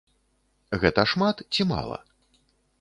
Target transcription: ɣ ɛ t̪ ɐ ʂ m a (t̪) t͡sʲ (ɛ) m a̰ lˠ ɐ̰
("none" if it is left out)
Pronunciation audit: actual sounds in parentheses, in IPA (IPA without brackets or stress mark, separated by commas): t̪, i